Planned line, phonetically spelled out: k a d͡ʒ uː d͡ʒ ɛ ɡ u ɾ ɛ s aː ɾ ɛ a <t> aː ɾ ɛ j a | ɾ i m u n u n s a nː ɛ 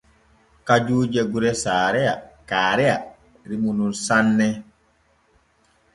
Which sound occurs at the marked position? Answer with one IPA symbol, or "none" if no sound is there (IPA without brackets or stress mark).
k